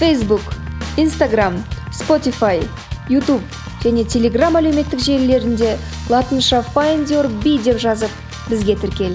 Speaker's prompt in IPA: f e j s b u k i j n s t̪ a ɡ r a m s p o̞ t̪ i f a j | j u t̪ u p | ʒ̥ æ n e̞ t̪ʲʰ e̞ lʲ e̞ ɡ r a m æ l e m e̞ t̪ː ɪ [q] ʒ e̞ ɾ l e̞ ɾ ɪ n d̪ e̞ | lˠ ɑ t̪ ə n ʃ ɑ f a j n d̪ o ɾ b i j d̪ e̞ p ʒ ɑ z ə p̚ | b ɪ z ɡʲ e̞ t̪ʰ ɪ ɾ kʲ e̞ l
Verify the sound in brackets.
incorrect: k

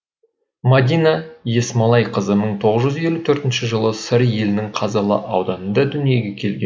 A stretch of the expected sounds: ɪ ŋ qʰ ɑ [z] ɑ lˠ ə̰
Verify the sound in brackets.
correct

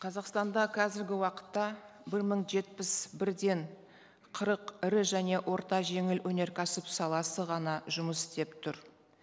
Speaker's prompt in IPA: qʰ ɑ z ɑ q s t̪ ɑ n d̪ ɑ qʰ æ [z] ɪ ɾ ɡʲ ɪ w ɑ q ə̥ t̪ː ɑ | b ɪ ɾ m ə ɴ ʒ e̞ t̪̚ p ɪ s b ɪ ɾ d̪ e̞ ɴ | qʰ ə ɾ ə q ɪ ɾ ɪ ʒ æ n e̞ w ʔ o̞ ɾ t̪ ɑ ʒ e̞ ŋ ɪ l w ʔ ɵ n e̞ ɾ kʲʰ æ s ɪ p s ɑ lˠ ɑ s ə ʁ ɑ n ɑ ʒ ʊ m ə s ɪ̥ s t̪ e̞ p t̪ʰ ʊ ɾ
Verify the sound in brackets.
correct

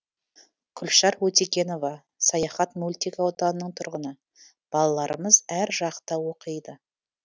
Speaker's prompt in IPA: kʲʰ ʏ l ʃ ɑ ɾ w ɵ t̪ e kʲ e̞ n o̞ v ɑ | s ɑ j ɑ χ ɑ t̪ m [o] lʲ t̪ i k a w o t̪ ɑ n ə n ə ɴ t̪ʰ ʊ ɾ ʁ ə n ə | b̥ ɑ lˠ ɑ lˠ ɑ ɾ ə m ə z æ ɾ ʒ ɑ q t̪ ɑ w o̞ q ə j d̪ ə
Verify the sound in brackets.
incorrect: u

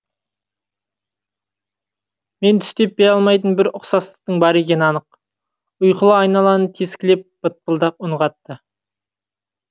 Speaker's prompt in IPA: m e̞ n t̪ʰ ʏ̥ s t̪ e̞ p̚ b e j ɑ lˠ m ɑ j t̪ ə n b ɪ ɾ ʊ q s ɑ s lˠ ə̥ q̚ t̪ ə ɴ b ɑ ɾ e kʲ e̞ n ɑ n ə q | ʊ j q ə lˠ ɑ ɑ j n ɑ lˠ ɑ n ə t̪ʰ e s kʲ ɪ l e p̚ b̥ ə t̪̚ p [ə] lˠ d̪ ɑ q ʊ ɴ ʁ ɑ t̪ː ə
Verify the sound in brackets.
correct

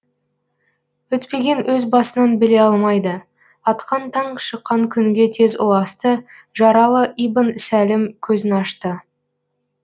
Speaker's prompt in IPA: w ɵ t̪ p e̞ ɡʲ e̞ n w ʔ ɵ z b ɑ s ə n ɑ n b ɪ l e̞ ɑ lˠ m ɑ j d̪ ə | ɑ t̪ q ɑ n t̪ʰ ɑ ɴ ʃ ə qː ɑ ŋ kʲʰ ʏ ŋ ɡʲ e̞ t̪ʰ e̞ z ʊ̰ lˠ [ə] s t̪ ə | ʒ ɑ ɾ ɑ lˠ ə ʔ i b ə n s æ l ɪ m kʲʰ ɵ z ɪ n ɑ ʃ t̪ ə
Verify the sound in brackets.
incorrect: ɑ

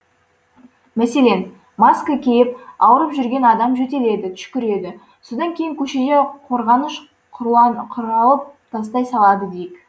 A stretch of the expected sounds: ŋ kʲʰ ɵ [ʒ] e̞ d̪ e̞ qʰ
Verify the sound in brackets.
incorrect: ʃ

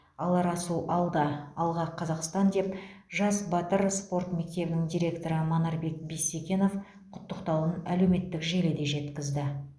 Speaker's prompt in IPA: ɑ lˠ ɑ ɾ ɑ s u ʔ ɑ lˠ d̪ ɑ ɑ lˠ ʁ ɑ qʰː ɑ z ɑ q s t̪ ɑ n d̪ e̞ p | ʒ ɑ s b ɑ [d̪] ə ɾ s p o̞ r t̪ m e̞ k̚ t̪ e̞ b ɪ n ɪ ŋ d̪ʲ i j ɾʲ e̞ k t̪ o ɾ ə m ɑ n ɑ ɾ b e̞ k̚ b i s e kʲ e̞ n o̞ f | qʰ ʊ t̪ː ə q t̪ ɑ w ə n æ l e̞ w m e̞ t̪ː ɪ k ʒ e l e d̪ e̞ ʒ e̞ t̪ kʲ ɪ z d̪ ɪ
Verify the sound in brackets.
incorrect: t̪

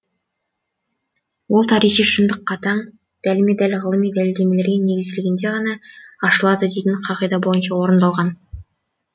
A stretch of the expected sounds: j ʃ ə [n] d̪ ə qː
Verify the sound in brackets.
correct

